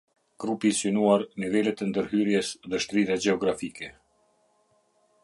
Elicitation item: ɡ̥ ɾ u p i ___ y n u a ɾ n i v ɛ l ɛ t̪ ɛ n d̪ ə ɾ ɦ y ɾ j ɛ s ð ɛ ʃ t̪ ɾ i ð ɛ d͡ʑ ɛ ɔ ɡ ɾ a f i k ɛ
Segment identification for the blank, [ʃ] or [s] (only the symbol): s